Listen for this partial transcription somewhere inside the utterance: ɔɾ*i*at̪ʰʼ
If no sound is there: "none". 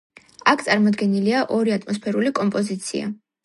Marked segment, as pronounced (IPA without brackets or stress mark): i